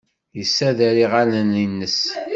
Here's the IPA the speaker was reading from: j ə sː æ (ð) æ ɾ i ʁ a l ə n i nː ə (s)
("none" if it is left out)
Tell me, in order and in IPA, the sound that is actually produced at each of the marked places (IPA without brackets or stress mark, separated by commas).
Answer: ð, s